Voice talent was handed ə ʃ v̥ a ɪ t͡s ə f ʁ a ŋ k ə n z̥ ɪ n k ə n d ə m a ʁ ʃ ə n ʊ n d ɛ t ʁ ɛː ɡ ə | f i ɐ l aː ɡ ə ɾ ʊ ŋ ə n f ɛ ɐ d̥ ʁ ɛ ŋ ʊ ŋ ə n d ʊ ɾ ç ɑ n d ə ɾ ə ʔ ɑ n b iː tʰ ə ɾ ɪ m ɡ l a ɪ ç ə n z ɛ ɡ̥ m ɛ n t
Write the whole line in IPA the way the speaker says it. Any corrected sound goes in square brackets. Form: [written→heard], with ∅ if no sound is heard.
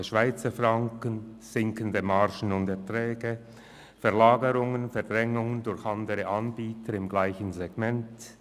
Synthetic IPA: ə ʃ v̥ a ɪ t͡s ə f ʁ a ŋ k ə n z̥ ɪ [n→ŋ] k ə n d ə m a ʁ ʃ ə n ʊ n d ɛ t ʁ ɛː ɡ ə | f [i→ɛ] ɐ l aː ɡ ə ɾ ʊ ŋ ə n f ɛ ɐ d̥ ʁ ɛ ŋ ʊ ŋ ə n d ʊ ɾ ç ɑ n d ə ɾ ə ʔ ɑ n b iː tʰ ə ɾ ɪ m ɡ l a ɪ ç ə n z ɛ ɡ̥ m ɛ n t

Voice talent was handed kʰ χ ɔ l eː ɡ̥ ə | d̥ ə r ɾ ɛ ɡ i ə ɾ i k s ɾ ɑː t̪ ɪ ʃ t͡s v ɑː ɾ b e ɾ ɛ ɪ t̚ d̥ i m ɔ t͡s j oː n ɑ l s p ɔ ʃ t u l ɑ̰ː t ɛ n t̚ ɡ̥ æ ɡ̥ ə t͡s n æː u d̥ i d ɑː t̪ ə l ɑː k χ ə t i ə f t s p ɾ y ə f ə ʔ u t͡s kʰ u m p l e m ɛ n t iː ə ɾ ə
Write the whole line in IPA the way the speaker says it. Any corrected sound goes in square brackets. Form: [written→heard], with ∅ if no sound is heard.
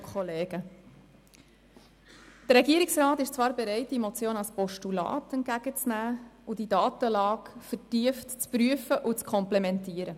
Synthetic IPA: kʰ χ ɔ l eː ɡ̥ ə | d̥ ə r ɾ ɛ ɡ i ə ɾ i k s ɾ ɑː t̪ ɪ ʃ t͡s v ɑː ɾ b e ɾ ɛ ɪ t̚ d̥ i m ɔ t͡s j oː n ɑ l s p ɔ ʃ t u l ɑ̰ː t ɛ n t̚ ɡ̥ æ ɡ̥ ə t͡s n æː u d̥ i d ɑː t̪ ə l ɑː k [χ→f] ə t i ə f t [s→t͡s] p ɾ y ə f ə ʔ u t͡s kʰ [u→ɔ] m p l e m ɛ n t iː ə ɾ ə

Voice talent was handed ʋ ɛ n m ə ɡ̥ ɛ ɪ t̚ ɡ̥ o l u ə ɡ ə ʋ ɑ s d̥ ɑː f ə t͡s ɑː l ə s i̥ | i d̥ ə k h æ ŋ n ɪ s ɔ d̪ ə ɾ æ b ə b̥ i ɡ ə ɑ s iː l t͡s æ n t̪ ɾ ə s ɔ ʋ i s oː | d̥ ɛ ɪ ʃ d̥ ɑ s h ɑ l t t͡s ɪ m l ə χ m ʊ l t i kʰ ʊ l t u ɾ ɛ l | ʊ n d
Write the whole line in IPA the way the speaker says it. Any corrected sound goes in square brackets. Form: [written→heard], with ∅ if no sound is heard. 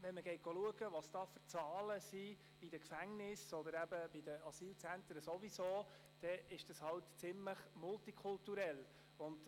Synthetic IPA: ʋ ɛ n m ə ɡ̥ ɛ ɪ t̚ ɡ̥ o l u ə ɡ ə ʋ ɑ s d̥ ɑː f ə t͡s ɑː l ə s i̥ | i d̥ ə k [h→f] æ ŋ n ɪ s ɔ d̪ ə ɾ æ b ə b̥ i [ɡ→d] ə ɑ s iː l t͡s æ n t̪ ɾ ə s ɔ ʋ i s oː | d̥ ɛ ɪ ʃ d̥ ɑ s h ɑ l t t͡s ɪ m l ə χ m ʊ l t i kʰ ʊ l t u ɾ ɛ l | ʊ n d

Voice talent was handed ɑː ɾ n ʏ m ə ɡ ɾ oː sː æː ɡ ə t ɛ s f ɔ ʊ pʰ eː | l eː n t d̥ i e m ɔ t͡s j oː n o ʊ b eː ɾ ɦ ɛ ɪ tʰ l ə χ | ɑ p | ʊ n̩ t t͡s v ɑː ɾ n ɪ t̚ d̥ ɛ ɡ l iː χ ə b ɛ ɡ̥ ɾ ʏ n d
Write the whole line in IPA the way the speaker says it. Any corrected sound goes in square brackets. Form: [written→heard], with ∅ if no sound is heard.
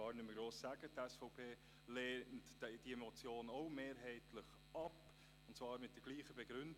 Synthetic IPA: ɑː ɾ n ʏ m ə ɡ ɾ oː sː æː ɡ ə t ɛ s f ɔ ʊ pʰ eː | l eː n t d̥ i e m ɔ t͡s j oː n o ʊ [b→m] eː ɾ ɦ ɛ ɪ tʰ l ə χ | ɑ p | ʊ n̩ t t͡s v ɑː ɾ [n→m] ɪ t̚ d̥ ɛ ɡ l iː χ ə b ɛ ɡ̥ ɾ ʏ n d

